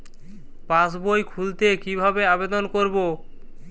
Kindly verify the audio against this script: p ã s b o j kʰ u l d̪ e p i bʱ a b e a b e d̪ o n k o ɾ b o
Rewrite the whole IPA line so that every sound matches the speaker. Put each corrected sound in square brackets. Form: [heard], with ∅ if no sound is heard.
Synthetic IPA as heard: p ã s b o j kʰ u l [t̪] e [k] i bʱ a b e a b e d̪ o n k o ɾ b o